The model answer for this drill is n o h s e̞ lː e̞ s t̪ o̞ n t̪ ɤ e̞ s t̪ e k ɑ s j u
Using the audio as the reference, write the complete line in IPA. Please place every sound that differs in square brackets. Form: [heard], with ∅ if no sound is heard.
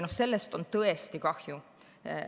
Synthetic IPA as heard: n o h s e̞ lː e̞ s t̪ o̞ n t̪ ɤ e̞ s t̪ [i] k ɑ [h] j u